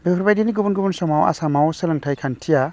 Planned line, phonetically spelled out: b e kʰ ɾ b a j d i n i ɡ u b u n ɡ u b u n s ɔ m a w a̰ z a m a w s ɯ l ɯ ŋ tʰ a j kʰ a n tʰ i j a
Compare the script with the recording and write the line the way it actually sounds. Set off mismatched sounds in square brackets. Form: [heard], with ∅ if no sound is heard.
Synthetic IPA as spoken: b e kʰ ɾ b a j d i n i ɡ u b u n ɡ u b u n s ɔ m a w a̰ [s] a m a w s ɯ l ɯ ŋ tʰ a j kʰ a n tʰ i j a